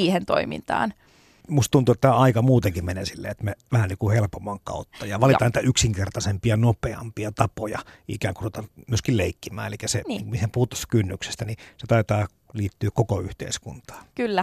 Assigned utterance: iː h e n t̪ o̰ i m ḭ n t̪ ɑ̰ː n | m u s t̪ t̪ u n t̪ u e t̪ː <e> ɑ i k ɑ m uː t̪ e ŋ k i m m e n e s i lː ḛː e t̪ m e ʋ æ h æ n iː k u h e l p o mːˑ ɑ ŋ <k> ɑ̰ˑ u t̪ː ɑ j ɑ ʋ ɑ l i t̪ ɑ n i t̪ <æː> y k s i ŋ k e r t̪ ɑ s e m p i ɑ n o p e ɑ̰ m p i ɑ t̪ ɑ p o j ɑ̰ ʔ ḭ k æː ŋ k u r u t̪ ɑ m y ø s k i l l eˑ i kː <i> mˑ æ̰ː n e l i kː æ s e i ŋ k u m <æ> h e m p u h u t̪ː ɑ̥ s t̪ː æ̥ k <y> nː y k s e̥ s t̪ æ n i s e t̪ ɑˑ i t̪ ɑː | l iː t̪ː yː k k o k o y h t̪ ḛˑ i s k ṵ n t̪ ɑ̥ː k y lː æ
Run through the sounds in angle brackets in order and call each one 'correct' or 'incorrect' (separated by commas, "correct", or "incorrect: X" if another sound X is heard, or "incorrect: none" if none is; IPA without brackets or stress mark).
incorrect: æ, correct, incorrect: æ, correct, incorrect: i, correct